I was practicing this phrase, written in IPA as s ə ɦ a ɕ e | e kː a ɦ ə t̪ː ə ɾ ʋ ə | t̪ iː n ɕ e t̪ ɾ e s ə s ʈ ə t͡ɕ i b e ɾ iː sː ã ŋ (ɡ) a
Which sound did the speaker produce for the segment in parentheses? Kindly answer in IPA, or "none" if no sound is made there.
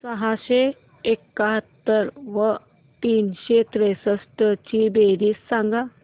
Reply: ɡ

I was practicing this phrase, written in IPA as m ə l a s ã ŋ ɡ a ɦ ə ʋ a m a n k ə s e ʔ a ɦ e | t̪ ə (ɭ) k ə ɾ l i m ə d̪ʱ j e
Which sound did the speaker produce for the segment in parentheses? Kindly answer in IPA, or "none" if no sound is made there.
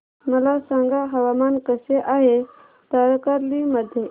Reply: ɾ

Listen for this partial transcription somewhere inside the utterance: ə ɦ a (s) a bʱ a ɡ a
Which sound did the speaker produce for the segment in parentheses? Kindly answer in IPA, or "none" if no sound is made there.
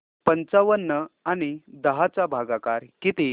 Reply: t͡s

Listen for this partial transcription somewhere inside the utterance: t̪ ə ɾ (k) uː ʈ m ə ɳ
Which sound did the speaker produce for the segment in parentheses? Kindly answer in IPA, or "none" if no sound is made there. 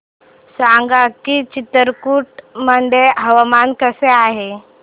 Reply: k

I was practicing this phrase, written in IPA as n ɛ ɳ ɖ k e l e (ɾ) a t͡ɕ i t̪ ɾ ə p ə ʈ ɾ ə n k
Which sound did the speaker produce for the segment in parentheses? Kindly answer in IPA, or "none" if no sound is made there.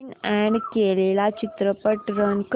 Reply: l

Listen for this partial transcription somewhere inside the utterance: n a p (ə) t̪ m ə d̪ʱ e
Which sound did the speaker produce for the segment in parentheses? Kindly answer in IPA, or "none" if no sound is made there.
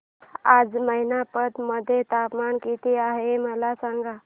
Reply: ə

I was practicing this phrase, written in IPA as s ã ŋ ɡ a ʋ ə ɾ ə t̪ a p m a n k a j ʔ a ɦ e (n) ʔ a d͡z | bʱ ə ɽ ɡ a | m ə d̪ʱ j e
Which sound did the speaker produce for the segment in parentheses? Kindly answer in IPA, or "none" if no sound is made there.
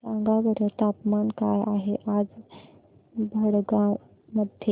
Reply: none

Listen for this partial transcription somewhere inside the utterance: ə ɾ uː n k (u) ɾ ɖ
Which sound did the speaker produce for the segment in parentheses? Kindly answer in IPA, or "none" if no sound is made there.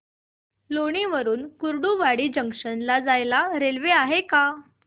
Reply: u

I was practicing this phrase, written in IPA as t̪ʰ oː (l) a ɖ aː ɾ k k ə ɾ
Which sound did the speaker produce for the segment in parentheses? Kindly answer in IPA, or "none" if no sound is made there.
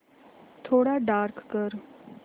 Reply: ɽ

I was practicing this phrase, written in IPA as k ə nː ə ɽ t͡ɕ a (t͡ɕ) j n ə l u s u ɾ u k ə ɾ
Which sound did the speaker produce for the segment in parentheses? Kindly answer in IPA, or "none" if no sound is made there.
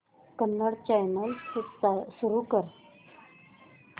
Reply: none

